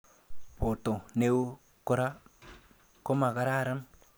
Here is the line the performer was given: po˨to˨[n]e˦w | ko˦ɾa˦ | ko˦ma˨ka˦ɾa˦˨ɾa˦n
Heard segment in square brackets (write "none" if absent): n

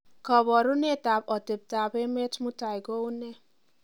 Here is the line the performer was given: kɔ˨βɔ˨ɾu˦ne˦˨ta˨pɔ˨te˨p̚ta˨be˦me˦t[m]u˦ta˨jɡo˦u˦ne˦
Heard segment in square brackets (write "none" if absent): m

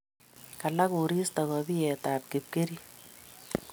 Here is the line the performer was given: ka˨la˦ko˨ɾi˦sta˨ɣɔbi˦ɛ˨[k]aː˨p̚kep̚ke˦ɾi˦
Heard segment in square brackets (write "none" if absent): t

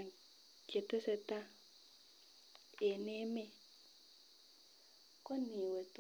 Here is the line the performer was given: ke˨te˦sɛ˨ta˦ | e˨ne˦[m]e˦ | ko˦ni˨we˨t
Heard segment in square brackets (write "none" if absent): m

